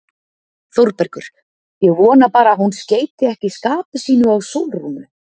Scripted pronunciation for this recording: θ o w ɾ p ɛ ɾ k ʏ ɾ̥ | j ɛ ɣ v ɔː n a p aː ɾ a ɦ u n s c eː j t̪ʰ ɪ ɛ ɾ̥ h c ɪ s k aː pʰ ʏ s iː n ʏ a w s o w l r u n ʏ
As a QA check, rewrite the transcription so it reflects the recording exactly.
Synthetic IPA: θ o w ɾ p ɛ ɾ k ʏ ɾ̥ | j ɛ ɣ v ɔː n a p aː ɾ a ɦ u n s c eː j t̪ ɪ ɛ h c ɪ s k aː p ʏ s iː n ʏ a w s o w l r u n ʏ